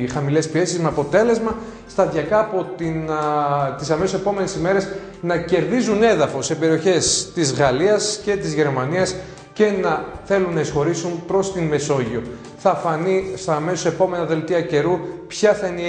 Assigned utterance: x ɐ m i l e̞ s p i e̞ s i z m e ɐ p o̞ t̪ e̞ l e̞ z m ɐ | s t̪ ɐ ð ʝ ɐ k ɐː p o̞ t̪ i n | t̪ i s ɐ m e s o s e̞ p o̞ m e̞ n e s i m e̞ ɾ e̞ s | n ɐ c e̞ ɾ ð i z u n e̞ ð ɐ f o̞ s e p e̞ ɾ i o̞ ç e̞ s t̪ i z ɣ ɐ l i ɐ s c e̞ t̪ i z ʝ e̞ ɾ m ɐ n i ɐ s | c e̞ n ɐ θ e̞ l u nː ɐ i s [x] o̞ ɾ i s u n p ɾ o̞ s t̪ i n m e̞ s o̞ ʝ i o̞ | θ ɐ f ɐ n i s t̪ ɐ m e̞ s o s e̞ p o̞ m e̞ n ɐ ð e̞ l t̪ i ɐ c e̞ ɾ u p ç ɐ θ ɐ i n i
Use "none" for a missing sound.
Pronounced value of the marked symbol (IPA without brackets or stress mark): x